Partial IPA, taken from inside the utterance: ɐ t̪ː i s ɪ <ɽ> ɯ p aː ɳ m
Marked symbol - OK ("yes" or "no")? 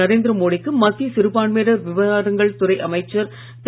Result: no